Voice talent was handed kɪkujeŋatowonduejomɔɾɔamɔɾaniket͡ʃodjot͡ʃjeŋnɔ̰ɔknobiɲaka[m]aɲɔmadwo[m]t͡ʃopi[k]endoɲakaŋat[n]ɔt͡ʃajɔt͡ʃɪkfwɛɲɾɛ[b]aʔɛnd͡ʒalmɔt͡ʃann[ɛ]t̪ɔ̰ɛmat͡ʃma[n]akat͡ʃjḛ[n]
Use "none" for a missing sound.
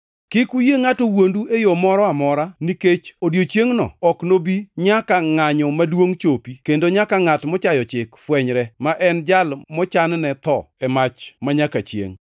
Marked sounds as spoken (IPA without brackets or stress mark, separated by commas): ŋ, ŋ, k, m, m, ɛ, ɲ, ŋ